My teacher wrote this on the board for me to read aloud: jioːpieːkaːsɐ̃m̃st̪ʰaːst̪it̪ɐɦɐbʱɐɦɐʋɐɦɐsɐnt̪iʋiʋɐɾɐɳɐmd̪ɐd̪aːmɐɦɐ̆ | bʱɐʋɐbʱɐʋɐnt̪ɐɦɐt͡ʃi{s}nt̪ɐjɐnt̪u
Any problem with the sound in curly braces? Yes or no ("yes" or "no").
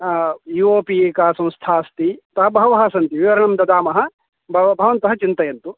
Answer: yes